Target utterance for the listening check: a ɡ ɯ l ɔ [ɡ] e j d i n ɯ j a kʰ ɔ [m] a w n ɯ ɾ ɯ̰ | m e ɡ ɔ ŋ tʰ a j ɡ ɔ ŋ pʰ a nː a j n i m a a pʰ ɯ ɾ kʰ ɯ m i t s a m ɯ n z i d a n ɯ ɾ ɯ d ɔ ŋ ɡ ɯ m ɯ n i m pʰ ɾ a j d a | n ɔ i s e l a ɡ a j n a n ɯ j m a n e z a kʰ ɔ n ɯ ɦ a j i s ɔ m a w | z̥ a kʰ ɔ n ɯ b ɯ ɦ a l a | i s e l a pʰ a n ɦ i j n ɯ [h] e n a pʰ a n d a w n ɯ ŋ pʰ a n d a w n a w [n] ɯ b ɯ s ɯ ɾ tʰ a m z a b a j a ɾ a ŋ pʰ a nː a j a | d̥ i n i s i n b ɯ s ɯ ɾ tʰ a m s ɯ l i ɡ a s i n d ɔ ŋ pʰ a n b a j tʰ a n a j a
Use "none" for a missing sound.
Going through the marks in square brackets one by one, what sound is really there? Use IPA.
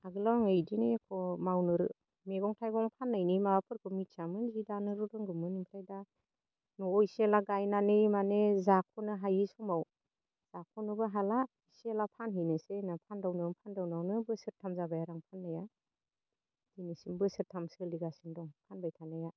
ŋ, m, s, n

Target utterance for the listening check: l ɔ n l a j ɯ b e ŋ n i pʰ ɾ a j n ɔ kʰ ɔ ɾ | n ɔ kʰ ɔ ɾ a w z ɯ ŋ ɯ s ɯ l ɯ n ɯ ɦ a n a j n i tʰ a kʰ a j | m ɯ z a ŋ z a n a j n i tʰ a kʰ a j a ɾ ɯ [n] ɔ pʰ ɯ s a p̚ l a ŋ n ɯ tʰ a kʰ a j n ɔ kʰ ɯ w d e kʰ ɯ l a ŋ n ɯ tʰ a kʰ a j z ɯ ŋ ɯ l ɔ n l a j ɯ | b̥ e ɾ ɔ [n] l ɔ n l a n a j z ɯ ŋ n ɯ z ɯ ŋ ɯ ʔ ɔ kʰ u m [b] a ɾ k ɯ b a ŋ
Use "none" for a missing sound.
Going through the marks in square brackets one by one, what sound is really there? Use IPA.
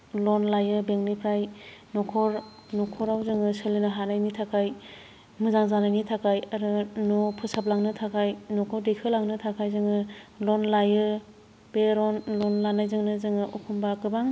n, n, b

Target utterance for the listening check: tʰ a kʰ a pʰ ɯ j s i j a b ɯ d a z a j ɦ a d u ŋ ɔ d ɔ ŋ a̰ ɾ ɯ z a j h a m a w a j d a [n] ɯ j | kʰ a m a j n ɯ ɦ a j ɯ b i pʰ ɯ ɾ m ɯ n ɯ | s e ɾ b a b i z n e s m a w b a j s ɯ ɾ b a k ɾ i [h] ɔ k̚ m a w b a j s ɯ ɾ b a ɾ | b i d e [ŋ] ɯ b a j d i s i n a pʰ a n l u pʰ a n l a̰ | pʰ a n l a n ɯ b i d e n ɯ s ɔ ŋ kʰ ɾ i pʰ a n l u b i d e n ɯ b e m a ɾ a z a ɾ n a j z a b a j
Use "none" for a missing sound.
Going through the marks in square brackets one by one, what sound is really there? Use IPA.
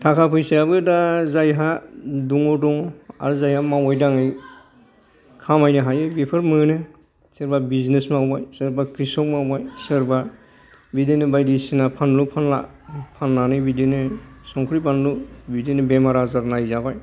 ŋ, s, n

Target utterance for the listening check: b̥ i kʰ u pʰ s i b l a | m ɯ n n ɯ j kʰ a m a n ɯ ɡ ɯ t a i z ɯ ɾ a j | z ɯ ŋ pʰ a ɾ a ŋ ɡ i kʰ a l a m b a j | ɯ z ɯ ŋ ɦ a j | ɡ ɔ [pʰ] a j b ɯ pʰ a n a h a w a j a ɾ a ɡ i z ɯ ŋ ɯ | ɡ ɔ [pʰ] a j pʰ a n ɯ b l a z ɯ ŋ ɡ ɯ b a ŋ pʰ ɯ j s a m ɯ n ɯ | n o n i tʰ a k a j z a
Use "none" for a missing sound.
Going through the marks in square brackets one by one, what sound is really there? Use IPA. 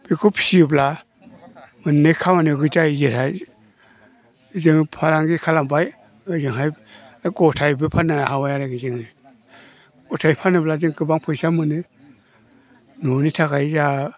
tʰ, tʰ

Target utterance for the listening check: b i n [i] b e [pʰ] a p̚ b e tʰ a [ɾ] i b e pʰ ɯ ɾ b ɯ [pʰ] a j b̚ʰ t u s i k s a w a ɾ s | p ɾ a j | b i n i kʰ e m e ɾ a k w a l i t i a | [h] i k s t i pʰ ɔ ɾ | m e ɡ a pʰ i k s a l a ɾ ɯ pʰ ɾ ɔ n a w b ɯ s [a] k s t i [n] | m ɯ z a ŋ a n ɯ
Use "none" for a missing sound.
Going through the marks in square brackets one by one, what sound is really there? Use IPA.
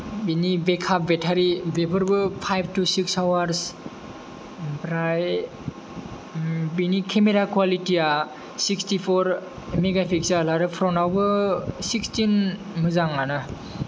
i, kʰ, ɾ, pʰ, s, i, n

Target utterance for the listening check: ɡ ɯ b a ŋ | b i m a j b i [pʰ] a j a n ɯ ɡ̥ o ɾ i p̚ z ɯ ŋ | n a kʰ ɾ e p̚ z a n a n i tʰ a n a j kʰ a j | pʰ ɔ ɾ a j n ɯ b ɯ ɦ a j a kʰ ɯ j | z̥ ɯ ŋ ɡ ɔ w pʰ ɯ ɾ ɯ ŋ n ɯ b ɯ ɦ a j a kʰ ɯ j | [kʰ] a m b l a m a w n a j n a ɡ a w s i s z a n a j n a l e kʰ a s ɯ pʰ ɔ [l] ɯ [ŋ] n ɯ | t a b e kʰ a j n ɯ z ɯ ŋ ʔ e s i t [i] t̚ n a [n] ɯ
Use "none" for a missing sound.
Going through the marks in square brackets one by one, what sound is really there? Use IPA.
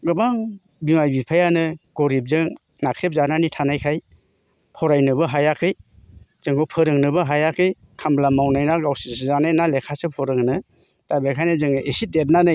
pʰ, kʰ, ɾ, ŋ, e, n

